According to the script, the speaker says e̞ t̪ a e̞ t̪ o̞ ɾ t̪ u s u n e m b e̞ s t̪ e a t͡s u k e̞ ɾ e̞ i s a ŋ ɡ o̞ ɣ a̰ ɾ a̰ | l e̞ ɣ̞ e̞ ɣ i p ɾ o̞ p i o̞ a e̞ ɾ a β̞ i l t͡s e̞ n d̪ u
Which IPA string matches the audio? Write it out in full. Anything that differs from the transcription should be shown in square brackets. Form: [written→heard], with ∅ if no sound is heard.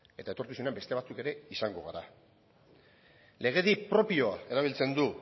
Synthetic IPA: e̞ t̪ a e̞ t̪ o̞ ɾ t̪ u s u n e m b e̞ s t̪ e a t͡s u k e̞ ɾ e̞ i s a ŋ ɡ o̞ ɣ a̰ ɾ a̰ | l e̞ ɣ̞ e̞ [ɣ→ð] i p ɾ o̞ p i o̞ a e̞ ɾ a β̞ i l t͡s e̞ n d̪ u

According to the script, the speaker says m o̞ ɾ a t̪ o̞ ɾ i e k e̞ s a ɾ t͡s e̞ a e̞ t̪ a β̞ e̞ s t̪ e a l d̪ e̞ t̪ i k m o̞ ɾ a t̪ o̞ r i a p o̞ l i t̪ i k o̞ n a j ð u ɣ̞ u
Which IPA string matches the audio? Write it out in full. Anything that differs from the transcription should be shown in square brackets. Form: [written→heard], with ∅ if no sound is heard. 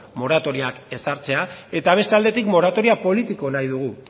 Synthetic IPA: m o̞ ɾ a t̪ o̞ ɾ i [e→a] k e̞ s a ɾ t͡s e̞ a e̞ t̪ a β̞ e̞ s t̪ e a l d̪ e̞ t̪ i k m o̞ ɾ a t̪ o̞ [r→ɾ] i a p o̞ l i t̪ i k o̞ n a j ð u ɣ̞ u

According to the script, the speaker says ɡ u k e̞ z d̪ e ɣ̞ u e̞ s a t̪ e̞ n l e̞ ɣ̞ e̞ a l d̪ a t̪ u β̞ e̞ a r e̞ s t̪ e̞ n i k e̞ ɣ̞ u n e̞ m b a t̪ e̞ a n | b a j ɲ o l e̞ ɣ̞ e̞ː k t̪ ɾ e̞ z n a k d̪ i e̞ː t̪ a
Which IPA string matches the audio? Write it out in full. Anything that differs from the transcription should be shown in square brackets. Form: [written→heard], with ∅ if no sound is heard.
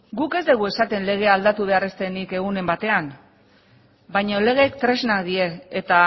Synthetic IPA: ɡ u k e̞ z d̪ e ɣ̞ u e̞ s a t̪ e̞ n l e̞ ɣ̞ e̞ a l d̪ a t̪ u β̞ e̞ a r e̞ s t̪ e̞ n i k e̞ ɣ̞ u n e̞ m b a t̪ e̞ a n | b a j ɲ o l e̞ ɣ̞ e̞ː k t̪ ɾ e̞ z n a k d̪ i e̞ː t̪ a

